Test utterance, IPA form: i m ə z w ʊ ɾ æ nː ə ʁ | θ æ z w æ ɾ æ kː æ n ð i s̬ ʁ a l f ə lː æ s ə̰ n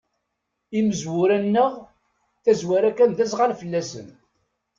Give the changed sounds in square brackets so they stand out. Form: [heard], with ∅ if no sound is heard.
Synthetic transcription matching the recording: i m ə z w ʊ ɾ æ nː ə ʁ | θ æ z w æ ɾ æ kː æ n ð [æ] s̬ ʁ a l f ə lː æ s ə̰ n